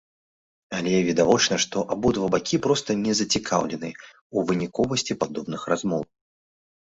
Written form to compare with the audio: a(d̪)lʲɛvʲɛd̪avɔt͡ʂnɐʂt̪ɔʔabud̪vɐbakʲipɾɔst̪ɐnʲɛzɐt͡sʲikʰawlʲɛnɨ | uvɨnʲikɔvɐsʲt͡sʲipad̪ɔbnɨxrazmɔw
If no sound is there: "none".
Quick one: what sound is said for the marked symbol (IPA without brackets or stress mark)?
none